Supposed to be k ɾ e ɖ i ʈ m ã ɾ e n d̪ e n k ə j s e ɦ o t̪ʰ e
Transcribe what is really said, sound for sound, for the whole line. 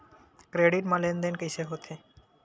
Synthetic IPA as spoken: k ɾ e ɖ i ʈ m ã l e n d̪ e n k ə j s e ɦ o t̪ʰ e